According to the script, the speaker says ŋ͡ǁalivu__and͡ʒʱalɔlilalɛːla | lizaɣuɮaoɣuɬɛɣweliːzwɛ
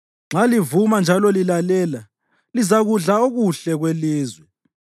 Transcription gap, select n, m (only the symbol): m